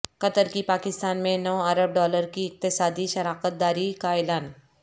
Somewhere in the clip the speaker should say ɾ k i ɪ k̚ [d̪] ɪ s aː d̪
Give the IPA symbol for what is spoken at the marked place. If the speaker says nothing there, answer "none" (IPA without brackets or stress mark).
t̪